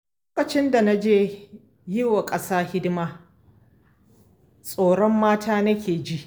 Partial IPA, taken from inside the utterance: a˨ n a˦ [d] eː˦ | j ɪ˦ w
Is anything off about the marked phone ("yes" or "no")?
yes